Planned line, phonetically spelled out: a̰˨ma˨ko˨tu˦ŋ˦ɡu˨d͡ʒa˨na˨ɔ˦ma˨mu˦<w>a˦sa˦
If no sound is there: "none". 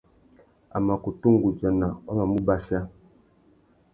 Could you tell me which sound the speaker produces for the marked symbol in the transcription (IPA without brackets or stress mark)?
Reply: b